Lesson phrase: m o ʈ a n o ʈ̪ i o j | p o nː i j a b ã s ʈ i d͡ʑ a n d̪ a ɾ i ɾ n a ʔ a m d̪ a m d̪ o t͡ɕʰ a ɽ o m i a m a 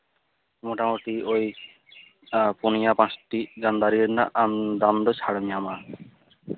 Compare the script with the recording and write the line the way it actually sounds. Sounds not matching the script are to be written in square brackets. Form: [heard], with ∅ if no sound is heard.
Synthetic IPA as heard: m o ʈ a [m] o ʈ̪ i o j | p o [n] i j a [p] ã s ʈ i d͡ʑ a n d̪ a ɾ i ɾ n a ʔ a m d̪ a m d̪ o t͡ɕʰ a ɽ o m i a m a